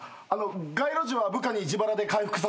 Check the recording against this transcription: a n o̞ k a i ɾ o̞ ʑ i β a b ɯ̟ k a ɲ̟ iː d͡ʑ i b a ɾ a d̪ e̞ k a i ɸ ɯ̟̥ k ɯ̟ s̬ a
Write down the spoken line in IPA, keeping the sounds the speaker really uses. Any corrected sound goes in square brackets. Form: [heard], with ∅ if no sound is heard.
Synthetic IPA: a n o̞ [ɡ] a i ɾ o̞ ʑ i β a b ɯ̟ k a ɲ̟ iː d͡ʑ i b a ɾ a d̪ e̞ k a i ɸ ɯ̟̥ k ɯ̟ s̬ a